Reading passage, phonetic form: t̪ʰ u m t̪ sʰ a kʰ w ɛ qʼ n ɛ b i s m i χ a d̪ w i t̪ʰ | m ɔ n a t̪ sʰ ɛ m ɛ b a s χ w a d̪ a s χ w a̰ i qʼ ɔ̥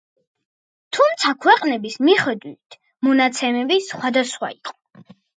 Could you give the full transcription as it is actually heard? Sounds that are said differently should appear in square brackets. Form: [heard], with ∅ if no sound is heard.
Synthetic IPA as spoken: t̪ʰ u m t̪ sʰ a kʰ w ɛ qʼ n ɛ b i s m i χ [ɛ] d̪ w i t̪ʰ | m ɔ n a t̪ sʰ ɛ m ɛ b [i] s χ w a d̪ a s χ w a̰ i qʼ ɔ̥